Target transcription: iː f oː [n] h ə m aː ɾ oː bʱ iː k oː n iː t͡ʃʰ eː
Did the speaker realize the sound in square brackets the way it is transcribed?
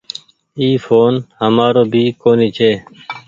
yes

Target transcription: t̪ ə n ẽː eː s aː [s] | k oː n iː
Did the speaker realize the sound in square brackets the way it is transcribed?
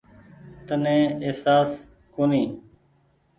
yes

